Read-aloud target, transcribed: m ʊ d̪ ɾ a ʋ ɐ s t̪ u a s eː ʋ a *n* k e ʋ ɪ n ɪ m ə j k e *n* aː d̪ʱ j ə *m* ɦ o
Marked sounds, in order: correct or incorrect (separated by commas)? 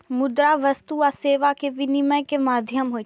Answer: incorrect, incorrect, correct